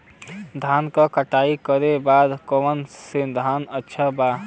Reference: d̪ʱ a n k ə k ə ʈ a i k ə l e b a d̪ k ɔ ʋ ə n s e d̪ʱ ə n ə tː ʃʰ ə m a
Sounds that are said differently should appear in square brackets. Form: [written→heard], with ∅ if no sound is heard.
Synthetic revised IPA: d̪ʱ a n k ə k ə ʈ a i k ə [l→ɾ] e b a d̪ k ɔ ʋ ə n s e d̪ʱ [ə→a] n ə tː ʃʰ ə [m→b] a